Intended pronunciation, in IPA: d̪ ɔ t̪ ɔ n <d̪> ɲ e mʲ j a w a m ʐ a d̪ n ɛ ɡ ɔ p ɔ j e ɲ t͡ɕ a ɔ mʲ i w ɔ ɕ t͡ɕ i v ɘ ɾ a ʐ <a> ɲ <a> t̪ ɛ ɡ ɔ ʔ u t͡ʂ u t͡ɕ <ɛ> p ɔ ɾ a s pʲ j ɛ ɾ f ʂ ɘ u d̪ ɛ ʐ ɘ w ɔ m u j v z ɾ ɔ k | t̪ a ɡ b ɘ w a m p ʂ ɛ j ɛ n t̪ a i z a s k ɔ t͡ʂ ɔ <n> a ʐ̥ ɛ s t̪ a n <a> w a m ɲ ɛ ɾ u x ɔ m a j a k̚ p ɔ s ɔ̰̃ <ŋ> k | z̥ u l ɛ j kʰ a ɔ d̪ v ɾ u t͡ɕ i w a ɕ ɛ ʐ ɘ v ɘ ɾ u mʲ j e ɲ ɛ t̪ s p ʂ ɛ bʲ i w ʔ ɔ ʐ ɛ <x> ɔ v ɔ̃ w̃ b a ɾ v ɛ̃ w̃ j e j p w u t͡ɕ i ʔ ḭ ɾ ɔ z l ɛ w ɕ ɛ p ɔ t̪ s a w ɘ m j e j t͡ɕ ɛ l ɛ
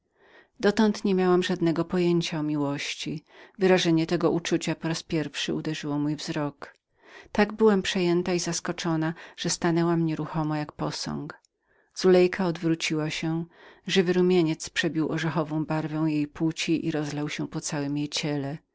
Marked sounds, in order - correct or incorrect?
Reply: incorrect: t̪, incorrect: ɛ, incorrect: ɛ, incorrect: a, correct, incorrect: ɛ, correct, correct

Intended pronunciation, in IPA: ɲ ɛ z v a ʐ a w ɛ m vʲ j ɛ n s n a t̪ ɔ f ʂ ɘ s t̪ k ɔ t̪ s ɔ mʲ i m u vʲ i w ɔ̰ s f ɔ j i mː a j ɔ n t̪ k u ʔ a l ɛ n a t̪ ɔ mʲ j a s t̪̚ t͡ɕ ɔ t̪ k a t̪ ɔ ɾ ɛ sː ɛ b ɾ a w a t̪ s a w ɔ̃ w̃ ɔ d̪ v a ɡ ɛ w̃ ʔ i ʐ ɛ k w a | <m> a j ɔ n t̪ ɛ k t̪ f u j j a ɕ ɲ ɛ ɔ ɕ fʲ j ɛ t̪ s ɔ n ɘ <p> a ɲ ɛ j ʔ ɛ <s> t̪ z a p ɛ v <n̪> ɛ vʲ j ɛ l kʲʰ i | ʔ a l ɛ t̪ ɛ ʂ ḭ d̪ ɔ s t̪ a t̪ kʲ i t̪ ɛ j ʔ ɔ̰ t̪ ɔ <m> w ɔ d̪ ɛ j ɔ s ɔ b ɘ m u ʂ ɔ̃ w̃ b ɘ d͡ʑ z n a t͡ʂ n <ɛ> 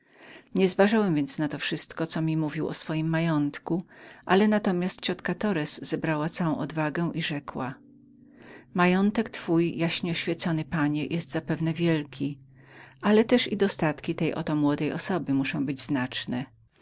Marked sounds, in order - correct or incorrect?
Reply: correct, correct, correct, correct, correct, correct

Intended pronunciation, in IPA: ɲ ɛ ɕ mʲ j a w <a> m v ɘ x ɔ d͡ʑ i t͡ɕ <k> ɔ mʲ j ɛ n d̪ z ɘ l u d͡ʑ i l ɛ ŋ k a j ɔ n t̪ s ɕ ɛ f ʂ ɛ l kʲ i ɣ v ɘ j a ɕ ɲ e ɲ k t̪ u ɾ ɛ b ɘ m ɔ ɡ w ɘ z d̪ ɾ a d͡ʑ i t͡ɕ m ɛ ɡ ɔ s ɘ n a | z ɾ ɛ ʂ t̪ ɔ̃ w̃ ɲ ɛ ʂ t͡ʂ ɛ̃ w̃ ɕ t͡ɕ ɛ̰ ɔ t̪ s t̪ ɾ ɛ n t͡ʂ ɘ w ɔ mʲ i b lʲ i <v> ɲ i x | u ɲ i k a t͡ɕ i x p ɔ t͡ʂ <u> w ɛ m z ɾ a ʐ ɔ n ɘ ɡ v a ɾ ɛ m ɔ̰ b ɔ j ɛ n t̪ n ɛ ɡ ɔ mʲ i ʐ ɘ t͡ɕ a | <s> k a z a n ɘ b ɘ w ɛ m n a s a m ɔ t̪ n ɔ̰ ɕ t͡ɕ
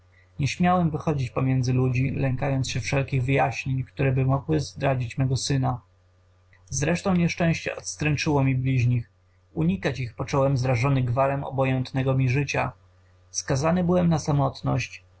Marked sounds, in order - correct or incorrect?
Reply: incorrect: ɛ, incorrect: p, incorrect: ʑ, incorrect: ɔ, correct

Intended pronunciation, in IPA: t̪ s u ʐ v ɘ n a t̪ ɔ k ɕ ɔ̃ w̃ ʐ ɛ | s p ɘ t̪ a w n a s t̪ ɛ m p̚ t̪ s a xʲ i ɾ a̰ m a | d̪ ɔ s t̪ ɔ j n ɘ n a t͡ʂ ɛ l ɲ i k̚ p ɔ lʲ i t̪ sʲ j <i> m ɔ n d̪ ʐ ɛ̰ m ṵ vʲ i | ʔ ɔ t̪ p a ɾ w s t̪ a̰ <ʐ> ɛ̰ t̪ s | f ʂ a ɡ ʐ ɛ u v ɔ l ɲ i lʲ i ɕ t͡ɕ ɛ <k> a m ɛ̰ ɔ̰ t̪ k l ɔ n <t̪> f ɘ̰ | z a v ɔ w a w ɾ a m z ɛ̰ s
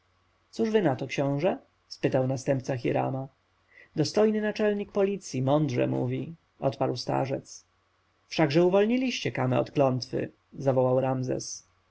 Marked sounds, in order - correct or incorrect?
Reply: correct, correct, correct, correct

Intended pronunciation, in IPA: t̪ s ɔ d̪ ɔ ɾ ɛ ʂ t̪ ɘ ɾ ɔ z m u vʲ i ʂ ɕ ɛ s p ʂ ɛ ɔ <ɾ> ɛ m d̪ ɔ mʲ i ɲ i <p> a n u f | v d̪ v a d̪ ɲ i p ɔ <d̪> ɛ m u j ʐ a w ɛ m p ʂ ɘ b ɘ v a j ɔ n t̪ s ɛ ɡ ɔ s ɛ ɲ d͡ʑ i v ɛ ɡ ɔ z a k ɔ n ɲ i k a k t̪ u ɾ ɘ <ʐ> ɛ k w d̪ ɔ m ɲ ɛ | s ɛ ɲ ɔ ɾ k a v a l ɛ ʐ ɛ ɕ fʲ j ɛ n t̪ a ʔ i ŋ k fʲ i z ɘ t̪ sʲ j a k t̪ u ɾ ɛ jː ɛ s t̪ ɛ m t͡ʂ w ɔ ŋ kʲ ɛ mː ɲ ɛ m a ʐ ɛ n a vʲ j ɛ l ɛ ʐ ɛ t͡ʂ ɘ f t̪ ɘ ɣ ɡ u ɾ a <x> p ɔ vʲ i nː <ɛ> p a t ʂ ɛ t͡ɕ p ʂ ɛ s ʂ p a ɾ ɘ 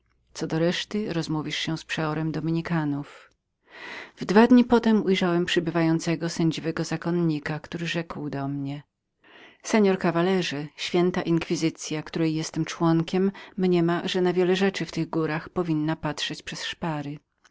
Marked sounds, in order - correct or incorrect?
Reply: correct, incorrect: k, incorrect: t̪, correct, correct, incorrect: a

